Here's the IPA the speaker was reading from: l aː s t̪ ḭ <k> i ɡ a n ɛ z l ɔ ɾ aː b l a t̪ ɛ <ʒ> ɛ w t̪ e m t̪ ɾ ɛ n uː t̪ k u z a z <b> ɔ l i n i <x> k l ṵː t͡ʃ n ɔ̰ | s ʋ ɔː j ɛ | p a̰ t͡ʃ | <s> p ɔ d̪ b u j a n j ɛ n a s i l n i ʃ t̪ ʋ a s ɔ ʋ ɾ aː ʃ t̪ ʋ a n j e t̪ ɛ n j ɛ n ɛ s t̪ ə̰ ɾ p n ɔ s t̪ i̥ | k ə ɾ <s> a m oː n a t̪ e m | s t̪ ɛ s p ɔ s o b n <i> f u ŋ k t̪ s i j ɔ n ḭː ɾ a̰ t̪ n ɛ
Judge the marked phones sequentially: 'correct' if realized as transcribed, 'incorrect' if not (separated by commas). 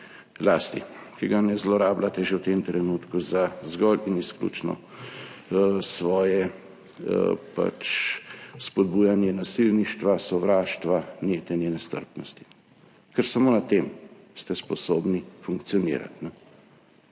correct, correct, incorrect, incorrect, correct, correct, correct